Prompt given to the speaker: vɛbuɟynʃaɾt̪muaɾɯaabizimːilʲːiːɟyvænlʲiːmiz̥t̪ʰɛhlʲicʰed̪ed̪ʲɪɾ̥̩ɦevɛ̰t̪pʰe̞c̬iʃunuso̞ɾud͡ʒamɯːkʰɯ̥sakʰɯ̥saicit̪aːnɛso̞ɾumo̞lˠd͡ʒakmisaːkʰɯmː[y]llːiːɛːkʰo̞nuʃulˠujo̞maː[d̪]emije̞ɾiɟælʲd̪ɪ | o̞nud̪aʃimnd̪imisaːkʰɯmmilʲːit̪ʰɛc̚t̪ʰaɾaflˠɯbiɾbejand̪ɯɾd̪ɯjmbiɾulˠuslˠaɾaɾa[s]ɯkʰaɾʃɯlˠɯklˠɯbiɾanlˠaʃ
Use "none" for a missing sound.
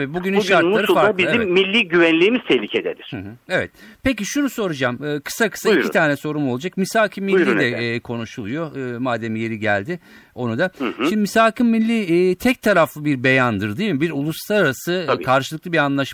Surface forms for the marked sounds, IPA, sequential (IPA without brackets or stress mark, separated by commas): i, d̪, s